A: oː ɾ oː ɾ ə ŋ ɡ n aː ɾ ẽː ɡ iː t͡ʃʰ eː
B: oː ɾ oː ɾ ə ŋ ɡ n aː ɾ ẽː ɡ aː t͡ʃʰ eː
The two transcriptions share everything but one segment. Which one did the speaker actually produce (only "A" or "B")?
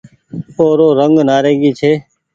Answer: A